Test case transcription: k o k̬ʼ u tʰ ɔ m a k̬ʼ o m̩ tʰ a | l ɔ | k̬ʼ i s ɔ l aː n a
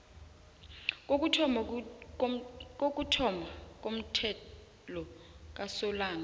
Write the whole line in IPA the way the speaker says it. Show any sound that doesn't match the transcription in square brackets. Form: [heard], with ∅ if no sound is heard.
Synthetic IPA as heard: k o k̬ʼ u tʰ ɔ m a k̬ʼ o m̩ tʰ [ɛ] | l ɔ | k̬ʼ [a] s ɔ l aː n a